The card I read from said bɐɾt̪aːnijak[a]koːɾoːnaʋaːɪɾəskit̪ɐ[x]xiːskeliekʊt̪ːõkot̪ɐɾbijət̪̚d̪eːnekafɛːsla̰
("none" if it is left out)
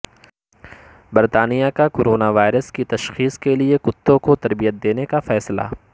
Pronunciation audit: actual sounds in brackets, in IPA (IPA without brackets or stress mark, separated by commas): a, ʃ